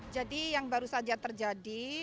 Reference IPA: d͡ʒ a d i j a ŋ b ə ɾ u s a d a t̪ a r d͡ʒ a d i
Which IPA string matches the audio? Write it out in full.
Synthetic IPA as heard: d͡ʒ a d i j a ŋ b a ɾ u s a d͡ʒ a t̪ ə r d͡ʒ a d i